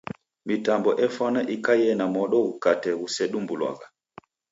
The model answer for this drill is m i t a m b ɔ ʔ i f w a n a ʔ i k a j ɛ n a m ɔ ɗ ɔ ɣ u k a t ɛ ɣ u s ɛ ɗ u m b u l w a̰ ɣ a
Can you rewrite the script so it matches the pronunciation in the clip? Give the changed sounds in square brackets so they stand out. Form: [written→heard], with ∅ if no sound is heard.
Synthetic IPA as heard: m i t a m b ɔ ʔ [i→ɛ] f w a n a ʔ i k a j ɛ n a m ɔ ɗ ɔ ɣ u k a t ɛ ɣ u s ɛ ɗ u m b u l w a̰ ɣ a

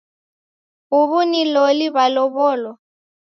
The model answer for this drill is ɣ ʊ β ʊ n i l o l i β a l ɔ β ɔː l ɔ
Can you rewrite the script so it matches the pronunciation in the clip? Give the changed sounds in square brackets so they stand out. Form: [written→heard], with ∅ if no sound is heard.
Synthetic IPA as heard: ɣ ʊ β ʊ n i l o l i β a l ɔ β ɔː l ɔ

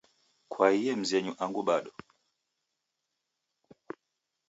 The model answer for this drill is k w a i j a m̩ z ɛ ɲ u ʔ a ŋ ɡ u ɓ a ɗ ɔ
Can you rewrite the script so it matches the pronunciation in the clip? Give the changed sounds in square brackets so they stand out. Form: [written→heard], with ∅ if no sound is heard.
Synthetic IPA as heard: k w a i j [a→ɛ] m̩ z ɛ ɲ u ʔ a ŋ ɡ u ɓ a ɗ ɔ

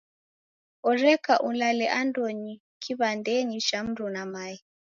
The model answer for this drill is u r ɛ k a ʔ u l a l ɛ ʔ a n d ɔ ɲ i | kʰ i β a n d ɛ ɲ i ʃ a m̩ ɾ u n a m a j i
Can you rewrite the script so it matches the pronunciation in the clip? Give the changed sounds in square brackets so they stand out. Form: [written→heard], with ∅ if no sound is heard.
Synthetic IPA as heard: [u→ɔ] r ɛ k a ʔ u l a l ɛ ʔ a n d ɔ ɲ i | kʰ i β a n d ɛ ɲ i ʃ a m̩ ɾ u n a m a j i

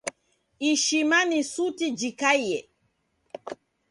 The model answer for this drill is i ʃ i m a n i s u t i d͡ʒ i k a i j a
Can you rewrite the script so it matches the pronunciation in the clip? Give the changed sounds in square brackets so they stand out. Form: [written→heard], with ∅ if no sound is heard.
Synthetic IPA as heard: i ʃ i m a n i s u t i d͡ʒ i k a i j [a→ɛ]

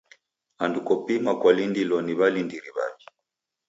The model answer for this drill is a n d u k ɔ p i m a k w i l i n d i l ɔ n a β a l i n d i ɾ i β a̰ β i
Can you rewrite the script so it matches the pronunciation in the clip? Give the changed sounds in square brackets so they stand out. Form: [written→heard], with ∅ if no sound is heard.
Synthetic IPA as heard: a n d u k ɔ p i m a k w [i→a] l i n d i l ɔ n [a→i] β a l i n d i ɾ i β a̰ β i

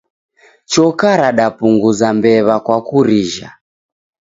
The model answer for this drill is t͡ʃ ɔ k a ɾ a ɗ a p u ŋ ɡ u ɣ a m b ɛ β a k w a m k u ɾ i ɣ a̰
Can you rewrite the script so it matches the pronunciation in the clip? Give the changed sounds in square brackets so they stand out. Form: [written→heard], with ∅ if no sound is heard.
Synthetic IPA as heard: t͡ʃ ɔ k a ɾ a ɗ a p u ŋ ɡ u [ɣ→z] a m b ɛ β a k w a [m→∅] k u ɾ i [ɣ→ʒ] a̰

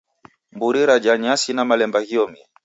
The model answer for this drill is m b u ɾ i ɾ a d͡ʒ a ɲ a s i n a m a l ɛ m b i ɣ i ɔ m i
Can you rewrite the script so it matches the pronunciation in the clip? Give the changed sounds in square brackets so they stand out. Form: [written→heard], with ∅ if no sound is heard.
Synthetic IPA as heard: m b u ɾ i ɾ a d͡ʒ a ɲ a s i n a m a l ɛ m b [i→a] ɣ i ɔ m i

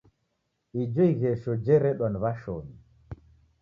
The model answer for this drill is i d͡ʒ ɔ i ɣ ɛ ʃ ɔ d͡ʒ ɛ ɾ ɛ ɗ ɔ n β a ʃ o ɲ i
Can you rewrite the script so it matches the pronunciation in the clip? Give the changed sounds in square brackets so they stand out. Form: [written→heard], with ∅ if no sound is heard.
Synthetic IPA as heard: i d͡ʒ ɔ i ɣ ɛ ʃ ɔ d͡ʒ ɛ ɾ ɛ ɗ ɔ n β a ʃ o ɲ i

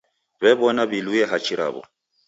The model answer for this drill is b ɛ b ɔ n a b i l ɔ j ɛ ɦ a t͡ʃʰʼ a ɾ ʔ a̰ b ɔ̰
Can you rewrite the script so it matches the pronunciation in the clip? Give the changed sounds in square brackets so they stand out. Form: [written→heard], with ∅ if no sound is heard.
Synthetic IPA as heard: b ɛ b ɔ n a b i l [ɔ→u] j ɛ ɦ a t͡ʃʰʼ [a→i] ɾ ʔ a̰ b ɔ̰

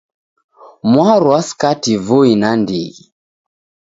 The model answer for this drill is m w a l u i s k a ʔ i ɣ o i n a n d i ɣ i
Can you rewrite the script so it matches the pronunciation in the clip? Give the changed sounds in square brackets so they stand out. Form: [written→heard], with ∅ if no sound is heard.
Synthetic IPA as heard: m w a [l→ɾ] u [i→a] s k a [ʔ→t] i [ɣ→v] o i n a n d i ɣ i

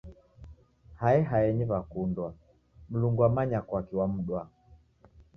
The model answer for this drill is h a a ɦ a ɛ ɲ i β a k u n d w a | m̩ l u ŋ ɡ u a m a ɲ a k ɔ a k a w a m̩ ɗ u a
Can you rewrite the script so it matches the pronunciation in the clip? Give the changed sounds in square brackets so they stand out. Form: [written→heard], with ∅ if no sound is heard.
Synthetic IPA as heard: h a [a→ɛ] ɦ a ɛ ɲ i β a k u n d w a | m̩ l u ŋ ɡ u a m a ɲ a k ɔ a k [a→i] w a m̩ ɗ [u→w] a

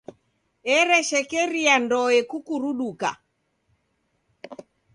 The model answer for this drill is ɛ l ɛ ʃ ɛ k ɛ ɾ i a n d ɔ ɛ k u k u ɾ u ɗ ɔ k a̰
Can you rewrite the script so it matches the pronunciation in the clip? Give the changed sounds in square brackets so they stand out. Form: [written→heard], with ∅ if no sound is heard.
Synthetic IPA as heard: ɛ [l→ɾ] ɛ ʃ ɛ k ɛ ɾ i a n d ɔ ɛ k u k u ɾ u ɗ [ɔ→u] k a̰

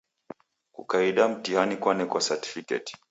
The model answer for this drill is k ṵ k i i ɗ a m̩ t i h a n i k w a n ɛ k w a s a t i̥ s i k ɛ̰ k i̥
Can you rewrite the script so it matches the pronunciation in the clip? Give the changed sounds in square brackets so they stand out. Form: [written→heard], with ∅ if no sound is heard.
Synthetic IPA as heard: k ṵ k [i→a] i ɗ a m̩ t i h a n i k w a n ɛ k w a s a t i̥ [s→f] i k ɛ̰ [k→t] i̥

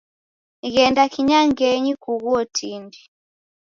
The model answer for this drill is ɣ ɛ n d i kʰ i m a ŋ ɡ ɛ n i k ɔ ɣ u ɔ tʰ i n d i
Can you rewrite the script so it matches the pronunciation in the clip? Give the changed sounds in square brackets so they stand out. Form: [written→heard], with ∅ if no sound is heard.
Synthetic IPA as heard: ɣ ɛ n d [i→a] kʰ i [m→ɲ] a ŋ ɡ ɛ [n→ɲ] i k [ɔ→u] ɣ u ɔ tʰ i n d i

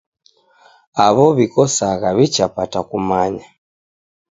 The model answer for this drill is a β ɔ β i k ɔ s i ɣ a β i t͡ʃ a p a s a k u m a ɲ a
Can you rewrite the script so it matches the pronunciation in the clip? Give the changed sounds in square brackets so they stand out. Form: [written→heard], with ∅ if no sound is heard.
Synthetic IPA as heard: a β ɔ β i k ɔ s [i→a] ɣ a β i t͡ʃ a p a [s→t] a k u m a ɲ a

